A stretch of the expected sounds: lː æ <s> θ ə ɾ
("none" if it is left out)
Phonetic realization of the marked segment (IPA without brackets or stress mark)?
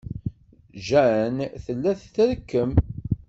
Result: θ